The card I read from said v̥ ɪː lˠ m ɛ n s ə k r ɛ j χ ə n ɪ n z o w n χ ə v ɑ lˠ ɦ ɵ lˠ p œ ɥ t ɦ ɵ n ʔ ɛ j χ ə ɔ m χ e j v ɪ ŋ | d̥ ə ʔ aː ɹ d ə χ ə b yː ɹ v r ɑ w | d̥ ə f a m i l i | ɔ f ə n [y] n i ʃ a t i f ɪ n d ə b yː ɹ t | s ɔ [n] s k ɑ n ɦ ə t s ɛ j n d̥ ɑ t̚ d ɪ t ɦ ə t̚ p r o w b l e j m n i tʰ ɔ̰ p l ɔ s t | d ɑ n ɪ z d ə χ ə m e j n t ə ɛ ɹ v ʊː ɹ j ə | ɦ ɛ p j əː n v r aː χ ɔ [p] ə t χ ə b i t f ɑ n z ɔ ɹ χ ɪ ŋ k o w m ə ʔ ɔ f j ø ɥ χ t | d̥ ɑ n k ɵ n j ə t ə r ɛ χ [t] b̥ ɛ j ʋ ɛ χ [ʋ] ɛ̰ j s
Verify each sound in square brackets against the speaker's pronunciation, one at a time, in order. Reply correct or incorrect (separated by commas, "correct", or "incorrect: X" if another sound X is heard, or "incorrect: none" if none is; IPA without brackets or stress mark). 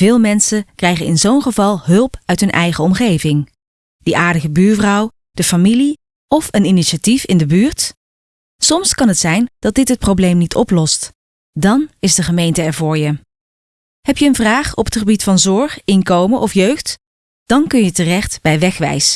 incorrect: i, incorrect: m, correct, correct, correct